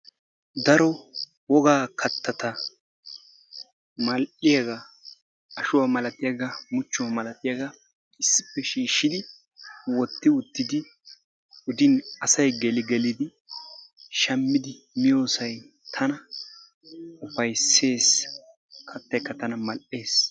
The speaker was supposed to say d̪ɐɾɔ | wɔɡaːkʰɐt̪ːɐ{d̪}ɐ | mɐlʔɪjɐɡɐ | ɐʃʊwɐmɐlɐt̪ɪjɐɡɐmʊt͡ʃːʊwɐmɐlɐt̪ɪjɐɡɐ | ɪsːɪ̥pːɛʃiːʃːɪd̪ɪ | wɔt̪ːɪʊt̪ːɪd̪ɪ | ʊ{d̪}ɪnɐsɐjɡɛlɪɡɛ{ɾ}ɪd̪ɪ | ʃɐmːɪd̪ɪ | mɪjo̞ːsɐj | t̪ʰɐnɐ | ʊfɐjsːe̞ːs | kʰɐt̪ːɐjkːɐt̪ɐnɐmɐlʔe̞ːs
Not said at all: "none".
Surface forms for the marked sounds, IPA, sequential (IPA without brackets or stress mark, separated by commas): t̪, d̪, l